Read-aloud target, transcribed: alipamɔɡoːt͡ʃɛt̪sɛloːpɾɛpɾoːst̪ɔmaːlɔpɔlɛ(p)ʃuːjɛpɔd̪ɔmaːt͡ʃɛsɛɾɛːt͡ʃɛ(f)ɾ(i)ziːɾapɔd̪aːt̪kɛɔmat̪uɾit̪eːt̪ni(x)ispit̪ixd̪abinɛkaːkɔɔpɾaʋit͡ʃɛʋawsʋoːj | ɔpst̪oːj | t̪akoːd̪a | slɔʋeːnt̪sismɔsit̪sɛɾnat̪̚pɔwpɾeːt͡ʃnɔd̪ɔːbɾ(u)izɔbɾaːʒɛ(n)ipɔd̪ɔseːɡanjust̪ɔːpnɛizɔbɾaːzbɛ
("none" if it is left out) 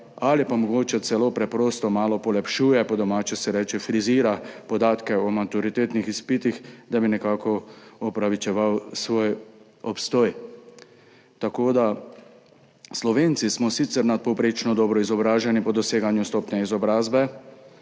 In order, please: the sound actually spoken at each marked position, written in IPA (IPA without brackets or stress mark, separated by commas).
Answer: p, f, i, x, ɔ, n